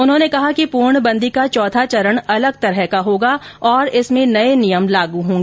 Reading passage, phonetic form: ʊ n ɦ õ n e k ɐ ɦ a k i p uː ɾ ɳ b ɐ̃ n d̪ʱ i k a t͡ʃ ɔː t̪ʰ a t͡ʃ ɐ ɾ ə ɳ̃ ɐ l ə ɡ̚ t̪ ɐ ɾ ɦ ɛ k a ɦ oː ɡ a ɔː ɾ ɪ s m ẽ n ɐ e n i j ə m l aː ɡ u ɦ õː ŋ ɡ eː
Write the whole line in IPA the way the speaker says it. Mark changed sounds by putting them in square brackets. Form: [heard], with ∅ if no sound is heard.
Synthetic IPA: ʊ n ɦ õ n e k ɐ ɦ a k i p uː ɾ ɳ b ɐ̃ n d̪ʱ i k a t͡ʃ ɔː t̪ʰ a t͡ʃ ɐ ɾ ə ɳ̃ ɐ l ə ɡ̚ t̪ ɐ ɾ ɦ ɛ k a ɦ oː ɡ a ɔː ɾ ɪ s m ẽ n ɐ e n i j ə m l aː ɡ u ɦ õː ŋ ɡ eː

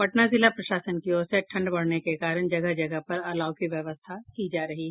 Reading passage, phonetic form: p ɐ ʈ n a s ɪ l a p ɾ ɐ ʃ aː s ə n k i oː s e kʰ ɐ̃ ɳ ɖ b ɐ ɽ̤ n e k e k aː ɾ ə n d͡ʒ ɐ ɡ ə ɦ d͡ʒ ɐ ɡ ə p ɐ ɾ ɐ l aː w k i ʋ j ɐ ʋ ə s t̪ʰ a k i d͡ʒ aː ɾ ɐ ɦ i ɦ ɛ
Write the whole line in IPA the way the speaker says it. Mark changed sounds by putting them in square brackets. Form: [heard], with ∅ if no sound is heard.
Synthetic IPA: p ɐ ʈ n a [z] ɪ l a p ɾ ɐ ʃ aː s ə n k i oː s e [ʈʰ] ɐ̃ ɳ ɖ b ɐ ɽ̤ n e k e k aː ɾ ə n d͡ʒ ɐ ɡ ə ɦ d͡ʒ ɐ ɡ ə p ɐ ɾ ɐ l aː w k i ʋ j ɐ ʋ ə s t̪ʰ a k i d͡ʒ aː ɾ ɐ ɦ i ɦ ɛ

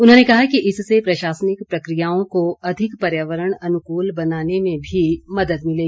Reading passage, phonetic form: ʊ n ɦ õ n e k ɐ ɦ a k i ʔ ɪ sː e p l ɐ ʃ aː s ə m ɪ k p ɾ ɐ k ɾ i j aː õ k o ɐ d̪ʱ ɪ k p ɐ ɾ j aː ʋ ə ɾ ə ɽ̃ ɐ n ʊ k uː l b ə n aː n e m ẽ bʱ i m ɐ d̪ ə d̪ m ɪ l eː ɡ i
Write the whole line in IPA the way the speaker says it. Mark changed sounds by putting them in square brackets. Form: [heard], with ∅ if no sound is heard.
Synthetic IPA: ʊ n ɦ õ n e k ɐ ɦ a k i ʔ ɪ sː e p [ɾ] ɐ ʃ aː s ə [n] ɪ k p ɾ ɐ k ɾ i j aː õ k o ɐ d̪ʱ ɪ k p ɐ ɾ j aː ʋ ə ɾ ə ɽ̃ ɐ n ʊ k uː l b [ɐ] n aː n e m ẽ bʱ i m ɐ d̪ ə d̪ m ɪ l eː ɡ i

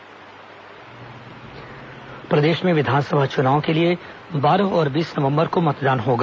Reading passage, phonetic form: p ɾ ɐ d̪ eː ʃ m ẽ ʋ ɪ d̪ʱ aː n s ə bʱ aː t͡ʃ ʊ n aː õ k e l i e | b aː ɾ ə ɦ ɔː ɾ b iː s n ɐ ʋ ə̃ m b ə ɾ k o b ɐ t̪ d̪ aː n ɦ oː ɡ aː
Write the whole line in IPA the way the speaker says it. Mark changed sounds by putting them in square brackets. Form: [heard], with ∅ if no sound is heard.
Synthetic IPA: p ɾ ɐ d̪ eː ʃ m ẽ ʋ ɪ d̪ʱ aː n s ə bʱ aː t͡ʃ ʊ n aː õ k e l i e | b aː ɾ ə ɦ ɔː ɾ b iː s n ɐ ʋ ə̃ m b ə ɾ k o [m] ɐ t̪ d̪ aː n ɦ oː ɡ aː

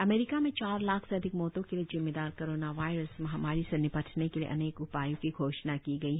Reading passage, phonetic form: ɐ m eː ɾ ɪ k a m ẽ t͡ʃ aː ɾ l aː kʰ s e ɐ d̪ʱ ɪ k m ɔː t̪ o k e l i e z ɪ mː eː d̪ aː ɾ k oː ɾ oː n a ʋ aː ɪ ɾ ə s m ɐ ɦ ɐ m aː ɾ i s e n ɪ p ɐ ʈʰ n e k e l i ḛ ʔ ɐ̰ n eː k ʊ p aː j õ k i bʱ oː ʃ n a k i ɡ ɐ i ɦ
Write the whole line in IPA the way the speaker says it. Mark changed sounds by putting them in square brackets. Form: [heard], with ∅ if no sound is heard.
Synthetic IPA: ɐ m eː ɾ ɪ k a m ẽ t͡ʃ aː ɾ l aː kʰ s e ɐ d̪ʱ ɪ k m ɔː t̪ [õ] k e l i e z ɪ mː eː d̪ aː ɾ k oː ɾ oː n a ʋ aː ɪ ɾ ə s m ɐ ɦ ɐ m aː ɾ i s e n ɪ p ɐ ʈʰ n e k e l i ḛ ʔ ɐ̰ n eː k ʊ p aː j õ k i [ɡʱ] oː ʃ n a k i ɡ ɐ i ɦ

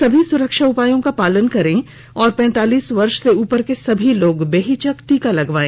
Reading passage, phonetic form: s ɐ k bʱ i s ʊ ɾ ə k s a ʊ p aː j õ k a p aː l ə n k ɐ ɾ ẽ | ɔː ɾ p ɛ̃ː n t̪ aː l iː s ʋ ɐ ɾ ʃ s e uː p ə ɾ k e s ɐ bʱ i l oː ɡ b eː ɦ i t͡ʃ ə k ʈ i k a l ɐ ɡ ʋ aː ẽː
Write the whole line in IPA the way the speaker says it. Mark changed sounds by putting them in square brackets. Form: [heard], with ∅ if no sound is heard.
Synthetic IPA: s ɐ [∅] bʱ i s ʊ ɾ ə k [ʃ] a ʊ p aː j õ k a p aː l ə n k ɐ ɾ ẽ | ɔː ɾ p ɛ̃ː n t̪ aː l iː s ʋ ɐ ɾ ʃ s e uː p ə ɾ k e s ɐ bʱ i l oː ɡ b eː ɦ i t͡ʃ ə k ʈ i k a l ɐ ɡ ʋ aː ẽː

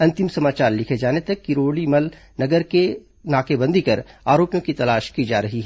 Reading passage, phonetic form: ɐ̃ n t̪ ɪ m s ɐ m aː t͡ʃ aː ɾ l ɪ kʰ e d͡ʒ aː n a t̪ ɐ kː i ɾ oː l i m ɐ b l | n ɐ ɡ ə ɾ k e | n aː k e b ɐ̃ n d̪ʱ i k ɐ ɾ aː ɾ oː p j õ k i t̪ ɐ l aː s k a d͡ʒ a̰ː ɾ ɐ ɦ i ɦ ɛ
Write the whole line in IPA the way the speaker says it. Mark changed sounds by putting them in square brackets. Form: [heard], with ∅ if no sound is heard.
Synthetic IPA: ɐ̃ n t̪ ɪ m s ɐ m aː t͡ʃ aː ɾ l ɪ kʰ e d͡ʒ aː n [e] t̪ ɐ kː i ɾ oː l i m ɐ [∅] l | n ɐ ɡ ə ɾ k e | n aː k e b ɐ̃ n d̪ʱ i k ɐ ɾ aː ɾ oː p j õ k i t̪ ɐ l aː [ʃ] k [i] d͡ʒ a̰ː ɾ ɐ ɦ i ɦ ɛ

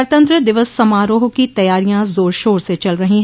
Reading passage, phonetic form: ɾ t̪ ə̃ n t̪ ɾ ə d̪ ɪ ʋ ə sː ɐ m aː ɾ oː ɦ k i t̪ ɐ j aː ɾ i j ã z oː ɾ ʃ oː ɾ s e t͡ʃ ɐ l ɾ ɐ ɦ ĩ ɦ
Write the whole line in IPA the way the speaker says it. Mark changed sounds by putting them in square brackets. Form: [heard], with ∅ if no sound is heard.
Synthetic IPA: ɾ t̪ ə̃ n t̪ ɾ ə d̪ ɪ ʋ ə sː ɐ m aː ɾ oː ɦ k i t̪ ɐ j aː ɾ i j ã z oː ɾ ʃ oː ɾ s e t͡ʃ ɐ l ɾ ɐ ɦ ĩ ɦ

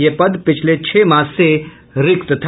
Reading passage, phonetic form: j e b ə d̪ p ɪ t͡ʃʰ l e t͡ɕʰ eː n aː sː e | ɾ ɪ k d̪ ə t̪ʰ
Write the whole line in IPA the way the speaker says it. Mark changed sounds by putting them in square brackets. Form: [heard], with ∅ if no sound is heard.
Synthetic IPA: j e [p] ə d̪ p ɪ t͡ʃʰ l e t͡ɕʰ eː [m] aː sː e | ɾ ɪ k [t̪] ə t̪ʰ

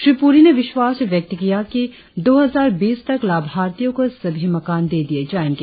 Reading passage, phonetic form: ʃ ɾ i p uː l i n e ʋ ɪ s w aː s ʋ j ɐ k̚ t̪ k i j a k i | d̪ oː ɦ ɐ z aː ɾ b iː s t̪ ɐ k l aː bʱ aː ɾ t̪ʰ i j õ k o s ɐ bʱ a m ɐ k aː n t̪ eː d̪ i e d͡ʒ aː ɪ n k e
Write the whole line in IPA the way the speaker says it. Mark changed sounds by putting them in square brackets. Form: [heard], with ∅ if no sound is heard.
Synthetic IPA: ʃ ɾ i p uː [ɾ] i n e ʋ ɪ [ʃ] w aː s ʋ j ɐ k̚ t̪ k i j a k i | d̪ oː ɦ ɐ z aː ɾ b iː s t̪ ɐ k l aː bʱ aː ɾ [t̪] i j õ k o s ɐ bʱ [i] m ɐ k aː n [d̪] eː d̪ i e d͡ʒ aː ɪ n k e

